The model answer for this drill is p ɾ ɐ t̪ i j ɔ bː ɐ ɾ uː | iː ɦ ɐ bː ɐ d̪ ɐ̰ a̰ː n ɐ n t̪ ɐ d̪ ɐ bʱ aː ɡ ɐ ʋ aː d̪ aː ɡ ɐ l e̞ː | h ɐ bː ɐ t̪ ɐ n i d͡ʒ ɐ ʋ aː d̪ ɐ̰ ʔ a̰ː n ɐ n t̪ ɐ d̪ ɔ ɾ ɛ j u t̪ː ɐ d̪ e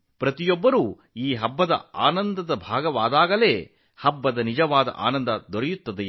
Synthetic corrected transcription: p ɾ ɐ t̪ i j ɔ bː ɐ ɾ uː | iː ɦ ɐ bː ɐ d̪ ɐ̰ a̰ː n ɐ n d̪ ɐ d̪ ɐ bʱ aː ɡ ɐ ʋ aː d̪ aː ɡ ɐ l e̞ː | h ɐ bː ɐ d̪ ɐ n i d͡ʒ ɐ ʋ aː d̪ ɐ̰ ʔ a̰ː n ɐ n d̪ ɐ d̪ ɔ ɾ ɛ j u t̪ː ɐ d̪ e